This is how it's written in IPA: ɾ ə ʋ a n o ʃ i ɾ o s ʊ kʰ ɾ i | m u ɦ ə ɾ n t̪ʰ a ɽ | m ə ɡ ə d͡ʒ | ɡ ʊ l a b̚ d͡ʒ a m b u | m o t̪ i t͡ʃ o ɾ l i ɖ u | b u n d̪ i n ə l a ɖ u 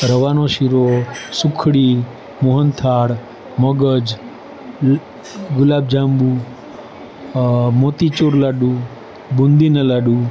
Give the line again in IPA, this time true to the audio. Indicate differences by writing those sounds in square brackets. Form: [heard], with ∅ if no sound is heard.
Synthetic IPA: ɾ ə ʋ a n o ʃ i ɾ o s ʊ kʰ [ɽ] i | m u ɦ ə [∅] n t̪ʰ a ɽ | m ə ɡ ə d͡ʒ | ɡ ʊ l a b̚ d͡ʒ a m b u | m o t̪ i t͡ʃ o ɾ l [a] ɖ u | b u n d̪ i n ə l a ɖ u